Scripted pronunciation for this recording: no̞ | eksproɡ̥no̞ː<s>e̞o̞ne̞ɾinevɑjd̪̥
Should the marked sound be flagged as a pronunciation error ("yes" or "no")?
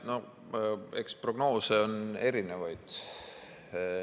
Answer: no